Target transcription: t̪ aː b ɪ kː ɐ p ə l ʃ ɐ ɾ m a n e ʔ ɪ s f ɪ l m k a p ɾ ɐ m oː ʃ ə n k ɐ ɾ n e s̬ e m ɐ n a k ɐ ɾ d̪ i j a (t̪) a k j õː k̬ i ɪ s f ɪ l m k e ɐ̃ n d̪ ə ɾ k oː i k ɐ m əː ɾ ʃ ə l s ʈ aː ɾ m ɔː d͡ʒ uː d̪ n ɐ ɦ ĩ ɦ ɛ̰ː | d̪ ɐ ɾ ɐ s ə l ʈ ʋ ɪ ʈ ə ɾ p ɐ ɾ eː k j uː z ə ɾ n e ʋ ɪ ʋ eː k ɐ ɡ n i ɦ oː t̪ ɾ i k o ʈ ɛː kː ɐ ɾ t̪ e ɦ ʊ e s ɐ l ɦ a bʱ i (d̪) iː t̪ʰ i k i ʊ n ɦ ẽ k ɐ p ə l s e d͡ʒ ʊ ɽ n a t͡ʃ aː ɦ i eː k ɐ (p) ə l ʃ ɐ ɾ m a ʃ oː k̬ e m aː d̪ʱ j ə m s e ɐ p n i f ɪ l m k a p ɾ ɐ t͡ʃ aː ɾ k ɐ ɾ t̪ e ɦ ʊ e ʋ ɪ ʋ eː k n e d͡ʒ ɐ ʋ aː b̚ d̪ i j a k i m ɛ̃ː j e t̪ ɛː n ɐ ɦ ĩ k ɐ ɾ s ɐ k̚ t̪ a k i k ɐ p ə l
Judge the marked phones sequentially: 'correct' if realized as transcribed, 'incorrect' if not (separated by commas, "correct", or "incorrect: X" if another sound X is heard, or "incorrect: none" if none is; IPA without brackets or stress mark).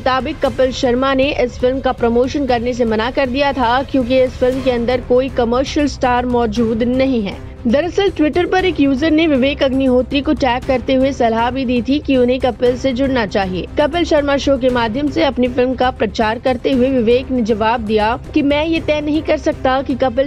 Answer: incorrect: t̪ʰ, correct, correct